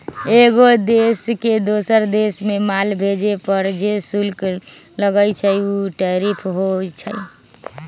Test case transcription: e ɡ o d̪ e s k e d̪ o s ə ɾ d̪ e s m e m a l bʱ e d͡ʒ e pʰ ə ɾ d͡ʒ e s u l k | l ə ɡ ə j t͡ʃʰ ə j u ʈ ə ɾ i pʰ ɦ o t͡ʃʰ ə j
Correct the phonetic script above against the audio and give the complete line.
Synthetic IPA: e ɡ o d̪ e s k e d̪ o s ə ɾ d̪ e s m e m a l bʱ e d͡ʒ e p ə ɾ d͡ʒ e s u l k | l ə ɡ ə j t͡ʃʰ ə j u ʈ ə ɾ i pʰ ɦ o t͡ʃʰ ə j